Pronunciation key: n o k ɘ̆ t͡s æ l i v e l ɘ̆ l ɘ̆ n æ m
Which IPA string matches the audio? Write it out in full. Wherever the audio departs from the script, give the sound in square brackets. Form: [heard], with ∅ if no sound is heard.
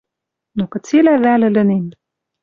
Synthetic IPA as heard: n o k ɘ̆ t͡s [e] l [æ] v [æ] l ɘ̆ l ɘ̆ n [e] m